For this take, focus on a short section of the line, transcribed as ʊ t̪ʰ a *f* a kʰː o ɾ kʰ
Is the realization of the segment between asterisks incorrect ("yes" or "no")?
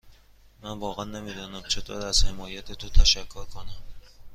yes